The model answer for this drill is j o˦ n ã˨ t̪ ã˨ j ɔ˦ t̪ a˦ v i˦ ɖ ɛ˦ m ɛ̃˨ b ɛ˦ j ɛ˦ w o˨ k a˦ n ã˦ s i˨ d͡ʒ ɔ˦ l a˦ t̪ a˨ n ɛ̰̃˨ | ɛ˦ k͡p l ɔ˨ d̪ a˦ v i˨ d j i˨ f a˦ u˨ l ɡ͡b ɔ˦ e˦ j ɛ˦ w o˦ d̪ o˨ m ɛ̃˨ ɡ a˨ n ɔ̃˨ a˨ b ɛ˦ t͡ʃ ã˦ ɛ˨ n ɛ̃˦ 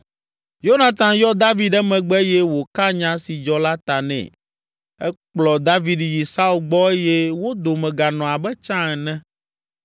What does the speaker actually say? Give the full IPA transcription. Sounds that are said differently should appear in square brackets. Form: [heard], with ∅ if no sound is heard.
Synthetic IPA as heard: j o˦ n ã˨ t̪ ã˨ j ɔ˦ [d̪] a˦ v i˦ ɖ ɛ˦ m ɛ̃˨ [ɡ͡b] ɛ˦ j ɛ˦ w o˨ k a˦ [ɲ] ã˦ s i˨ d͡ʒ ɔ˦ l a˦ t̪ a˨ n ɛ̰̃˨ | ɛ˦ k͡p l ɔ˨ d̪ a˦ v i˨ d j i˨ [s] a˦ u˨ l ɡ͡b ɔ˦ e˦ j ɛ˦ w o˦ d̪ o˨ m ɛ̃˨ ɡ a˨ n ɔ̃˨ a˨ b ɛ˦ t͡ʃ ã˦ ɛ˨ n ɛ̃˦